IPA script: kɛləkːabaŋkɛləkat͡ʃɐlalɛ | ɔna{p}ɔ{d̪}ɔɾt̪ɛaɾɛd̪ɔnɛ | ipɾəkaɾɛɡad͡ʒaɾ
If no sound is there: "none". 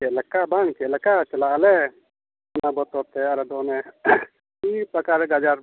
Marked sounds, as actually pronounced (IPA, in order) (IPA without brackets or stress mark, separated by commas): b, t̪